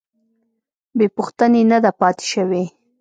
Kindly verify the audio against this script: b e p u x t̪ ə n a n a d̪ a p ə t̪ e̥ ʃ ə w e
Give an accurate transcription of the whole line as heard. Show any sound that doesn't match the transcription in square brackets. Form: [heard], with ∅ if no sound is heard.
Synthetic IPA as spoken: b e p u x t̪ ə n [e] n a d̪ a p [ɑ] t̪ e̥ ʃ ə w e